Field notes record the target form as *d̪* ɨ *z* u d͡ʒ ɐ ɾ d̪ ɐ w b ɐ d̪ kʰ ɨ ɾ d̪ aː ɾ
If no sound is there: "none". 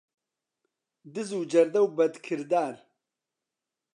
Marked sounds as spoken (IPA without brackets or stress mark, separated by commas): d̪, z